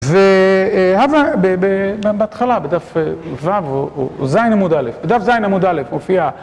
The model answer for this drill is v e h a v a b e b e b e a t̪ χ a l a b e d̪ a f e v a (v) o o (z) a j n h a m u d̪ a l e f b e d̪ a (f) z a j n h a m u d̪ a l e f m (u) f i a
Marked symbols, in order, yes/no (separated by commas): yes, yes, yes, no